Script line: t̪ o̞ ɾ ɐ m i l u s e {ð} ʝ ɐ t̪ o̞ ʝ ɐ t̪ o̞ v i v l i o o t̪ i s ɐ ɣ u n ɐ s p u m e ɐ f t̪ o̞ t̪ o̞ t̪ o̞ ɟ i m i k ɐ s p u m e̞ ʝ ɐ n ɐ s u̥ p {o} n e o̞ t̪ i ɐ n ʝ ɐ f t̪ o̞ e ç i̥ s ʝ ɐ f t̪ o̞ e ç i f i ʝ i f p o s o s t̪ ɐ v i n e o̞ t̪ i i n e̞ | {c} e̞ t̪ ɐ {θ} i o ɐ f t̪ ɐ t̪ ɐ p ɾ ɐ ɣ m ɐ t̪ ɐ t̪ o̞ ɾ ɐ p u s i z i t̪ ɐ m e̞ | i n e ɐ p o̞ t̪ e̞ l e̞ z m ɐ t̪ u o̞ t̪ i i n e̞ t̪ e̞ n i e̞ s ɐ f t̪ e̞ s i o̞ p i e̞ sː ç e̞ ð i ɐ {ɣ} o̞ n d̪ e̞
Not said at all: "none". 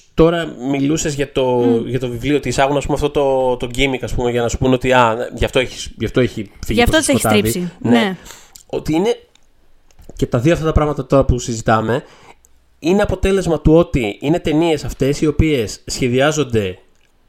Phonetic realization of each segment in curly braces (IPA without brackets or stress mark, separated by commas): z, u, c, ð, z